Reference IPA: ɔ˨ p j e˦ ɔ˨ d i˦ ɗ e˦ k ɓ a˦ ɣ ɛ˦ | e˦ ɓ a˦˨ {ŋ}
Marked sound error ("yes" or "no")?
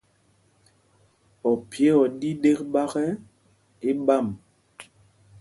yes